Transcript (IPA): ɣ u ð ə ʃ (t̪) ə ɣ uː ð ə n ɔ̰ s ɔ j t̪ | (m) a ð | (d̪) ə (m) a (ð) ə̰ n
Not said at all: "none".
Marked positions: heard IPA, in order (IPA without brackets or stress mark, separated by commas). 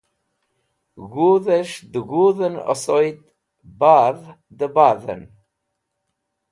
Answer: d̪, b, d̪, b, ð